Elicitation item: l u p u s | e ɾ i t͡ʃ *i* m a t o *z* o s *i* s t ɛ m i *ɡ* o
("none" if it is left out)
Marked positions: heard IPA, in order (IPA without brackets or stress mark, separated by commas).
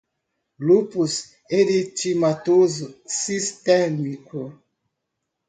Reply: i, z, i, k